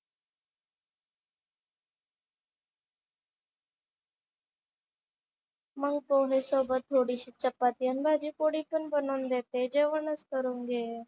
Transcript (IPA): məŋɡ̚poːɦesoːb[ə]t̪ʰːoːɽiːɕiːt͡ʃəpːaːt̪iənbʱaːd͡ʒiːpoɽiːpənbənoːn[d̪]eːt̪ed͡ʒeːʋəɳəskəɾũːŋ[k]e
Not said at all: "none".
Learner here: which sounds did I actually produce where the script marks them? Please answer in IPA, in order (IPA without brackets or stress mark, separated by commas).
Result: ə, d̪, ɡ